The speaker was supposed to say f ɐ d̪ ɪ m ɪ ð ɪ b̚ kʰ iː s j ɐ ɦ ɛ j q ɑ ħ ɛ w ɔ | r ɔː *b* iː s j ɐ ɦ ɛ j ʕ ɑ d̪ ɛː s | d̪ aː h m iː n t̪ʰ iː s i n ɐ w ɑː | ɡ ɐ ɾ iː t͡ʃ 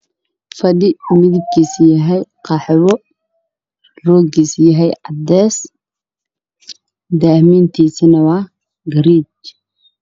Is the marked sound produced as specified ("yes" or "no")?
no